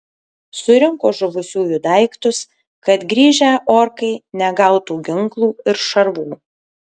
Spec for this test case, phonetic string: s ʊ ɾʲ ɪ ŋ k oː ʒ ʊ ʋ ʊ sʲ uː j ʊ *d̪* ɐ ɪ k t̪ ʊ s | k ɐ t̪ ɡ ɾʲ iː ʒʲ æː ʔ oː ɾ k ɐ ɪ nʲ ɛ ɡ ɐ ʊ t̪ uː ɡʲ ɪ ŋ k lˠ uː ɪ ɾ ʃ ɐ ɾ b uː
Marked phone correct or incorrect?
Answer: correct